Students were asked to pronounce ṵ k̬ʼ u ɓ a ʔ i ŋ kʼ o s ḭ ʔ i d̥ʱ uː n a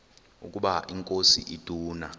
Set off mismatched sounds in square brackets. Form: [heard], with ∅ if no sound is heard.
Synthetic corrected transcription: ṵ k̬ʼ u ɓ a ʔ i ŋ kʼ o s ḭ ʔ i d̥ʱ uː n a